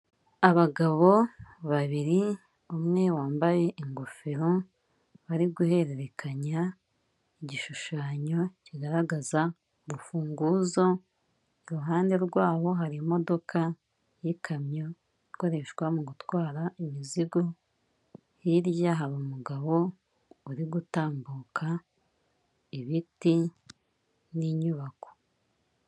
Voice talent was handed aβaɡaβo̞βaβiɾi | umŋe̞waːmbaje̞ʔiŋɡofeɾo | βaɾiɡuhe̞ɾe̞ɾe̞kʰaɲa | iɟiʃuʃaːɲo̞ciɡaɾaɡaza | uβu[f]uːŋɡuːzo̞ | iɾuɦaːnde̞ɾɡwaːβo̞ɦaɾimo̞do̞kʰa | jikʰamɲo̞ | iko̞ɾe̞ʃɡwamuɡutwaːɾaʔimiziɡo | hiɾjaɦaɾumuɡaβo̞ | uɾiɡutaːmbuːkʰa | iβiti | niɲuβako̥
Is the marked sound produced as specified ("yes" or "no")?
yes